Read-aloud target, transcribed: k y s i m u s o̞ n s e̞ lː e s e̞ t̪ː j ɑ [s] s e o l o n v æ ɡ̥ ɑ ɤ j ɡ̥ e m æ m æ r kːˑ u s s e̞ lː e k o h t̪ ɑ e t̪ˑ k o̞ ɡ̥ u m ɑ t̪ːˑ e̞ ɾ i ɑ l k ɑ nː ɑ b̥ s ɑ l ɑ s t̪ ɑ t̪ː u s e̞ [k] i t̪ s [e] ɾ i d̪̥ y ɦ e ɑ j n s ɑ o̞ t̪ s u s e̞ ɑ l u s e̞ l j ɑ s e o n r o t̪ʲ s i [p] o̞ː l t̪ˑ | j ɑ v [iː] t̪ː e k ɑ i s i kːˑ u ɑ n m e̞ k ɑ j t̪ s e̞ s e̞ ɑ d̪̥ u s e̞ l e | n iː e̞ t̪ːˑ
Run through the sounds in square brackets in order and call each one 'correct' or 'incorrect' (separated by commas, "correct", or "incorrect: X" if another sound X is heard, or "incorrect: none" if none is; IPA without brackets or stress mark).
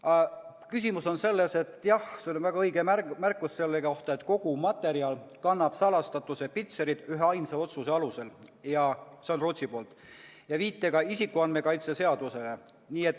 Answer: incorrect: h, incorrect: p, correct, correct, correct